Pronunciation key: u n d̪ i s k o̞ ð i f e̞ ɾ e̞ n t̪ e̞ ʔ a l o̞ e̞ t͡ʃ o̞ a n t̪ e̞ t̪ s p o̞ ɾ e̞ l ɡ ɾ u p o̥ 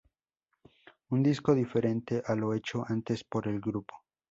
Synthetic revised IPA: u n d̪ i s k o̞ ð i f e̞ ɾ e̞ n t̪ e̞ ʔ a l o̞ e̞ t͡ʃ o̞ a n t̪ e̞ s p o̞ ɾ e̞ l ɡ ɾ u p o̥